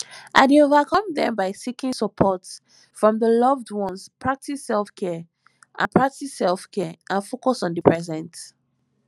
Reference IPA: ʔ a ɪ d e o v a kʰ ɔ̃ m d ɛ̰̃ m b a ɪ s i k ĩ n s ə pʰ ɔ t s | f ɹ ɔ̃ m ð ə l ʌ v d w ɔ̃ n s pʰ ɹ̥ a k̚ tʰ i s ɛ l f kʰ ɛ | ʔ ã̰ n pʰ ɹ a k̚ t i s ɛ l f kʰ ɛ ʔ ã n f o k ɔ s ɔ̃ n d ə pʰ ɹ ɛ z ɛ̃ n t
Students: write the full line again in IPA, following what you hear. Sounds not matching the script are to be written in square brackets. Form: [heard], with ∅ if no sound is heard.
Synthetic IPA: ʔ a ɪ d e o v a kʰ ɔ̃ m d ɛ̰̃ m b a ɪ s i k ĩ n s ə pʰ ɔ t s | f ɹ ɔ̃ m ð ə l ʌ v d w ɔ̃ n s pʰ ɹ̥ a k̚ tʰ i s ɛ l f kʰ ɛ | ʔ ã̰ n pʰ ɹ a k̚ t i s ɛ l f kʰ ɛ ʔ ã n f o k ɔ s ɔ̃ n d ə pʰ ɹ ɛ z ɛ̃ n t